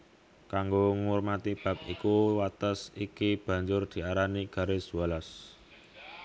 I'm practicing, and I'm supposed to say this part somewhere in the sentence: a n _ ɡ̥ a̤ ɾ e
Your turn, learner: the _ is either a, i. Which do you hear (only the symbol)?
i